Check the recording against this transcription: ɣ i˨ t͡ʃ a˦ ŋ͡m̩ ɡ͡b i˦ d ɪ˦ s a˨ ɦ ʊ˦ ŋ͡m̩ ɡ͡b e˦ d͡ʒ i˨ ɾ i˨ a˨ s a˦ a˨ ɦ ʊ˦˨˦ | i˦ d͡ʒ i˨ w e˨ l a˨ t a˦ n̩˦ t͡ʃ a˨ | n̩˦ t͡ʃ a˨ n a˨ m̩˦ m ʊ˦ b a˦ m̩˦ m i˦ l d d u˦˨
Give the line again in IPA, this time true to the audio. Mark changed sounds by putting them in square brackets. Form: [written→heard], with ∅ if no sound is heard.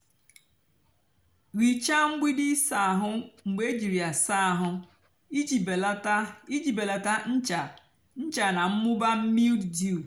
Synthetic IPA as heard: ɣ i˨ t͡ʃ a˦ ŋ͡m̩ ɡ͡b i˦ d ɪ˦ s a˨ ɦ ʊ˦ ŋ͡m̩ ɡ͡b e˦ d͡ʒ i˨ ɾ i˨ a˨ s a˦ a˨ ɦ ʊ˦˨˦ | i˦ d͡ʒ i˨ [w→b] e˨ l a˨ t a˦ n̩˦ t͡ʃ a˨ | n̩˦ t͡ʃ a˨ n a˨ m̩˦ m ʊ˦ b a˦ m̩˦ m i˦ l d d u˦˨